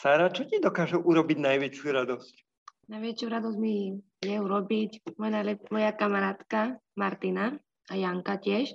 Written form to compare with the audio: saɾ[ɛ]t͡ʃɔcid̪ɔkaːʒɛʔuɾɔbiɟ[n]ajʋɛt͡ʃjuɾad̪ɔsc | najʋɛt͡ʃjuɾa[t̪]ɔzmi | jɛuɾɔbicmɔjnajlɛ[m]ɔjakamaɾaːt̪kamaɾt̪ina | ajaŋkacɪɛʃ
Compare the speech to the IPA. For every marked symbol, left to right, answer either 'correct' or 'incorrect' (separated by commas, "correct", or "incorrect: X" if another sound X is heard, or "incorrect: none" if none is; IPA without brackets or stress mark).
incorrect: a, correct, incorrect: d̪, correct